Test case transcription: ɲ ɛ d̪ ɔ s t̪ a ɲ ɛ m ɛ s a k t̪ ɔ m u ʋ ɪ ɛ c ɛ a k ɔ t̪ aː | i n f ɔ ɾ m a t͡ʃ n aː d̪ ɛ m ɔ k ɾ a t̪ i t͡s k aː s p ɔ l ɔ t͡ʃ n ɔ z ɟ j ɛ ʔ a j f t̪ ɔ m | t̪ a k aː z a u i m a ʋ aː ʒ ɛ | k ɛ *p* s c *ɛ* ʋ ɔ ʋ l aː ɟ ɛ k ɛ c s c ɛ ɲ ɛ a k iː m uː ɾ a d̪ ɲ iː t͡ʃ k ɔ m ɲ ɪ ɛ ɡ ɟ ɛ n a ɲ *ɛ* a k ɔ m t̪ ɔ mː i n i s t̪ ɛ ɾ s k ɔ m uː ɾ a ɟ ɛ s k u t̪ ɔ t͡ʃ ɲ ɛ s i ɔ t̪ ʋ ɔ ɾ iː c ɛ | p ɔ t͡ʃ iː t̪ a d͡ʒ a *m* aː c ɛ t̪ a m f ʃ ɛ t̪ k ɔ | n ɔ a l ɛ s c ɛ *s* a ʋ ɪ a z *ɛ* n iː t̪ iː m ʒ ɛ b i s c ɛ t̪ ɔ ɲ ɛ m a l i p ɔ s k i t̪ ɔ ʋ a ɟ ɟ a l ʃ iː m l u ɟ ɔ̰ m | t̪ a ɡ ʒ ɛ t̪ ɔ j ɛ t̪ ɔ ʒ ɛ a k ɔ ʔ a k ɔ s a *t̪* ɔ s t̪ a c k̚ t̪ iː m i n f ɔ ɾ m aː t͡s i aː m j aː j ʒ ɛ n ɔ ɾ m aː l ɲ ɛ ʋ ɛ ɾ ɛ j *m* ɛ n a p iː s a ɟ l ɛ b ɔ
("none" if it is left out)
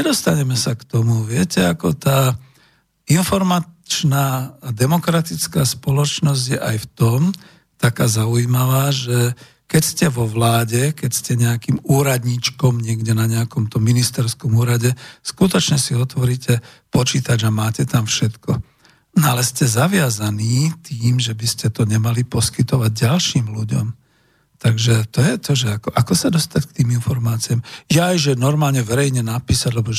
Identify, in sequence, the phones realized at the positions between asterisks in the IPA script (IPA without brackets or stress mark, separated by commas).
c, ɛ, ɛ, m, z, a, d̪, ɲ